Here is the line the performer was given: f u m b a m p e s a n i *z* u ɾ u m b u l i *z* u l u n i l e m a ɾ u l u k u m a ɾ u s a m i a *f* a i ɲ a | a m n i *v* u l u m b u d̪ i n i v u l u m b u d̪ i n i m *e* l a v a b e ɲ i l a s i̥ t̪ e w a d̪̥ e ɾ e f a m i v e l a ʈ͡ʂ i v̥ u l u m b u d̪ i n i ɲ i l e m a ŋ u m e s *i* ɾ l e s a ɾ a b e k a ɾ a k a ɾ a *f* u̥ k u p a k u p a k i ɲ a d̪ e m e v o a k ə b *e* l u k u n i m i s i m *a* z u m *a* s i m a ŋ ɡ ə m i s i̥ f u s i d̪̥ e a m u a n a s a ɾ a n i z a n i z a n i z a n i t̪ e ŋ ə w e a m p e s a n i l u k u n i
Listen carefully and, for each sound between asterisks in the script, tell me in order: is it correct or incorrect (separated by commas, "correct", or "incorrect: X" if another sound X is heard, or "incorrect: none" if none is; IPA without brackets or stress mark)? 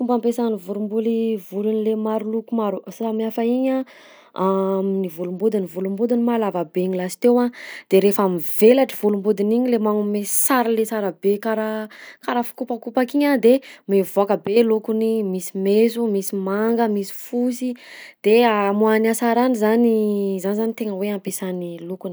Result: incorrect: v, incorrect: v, correct, correct, incorrect: a, incorrect: a, correct, correct, incorrect: e, incorrect: i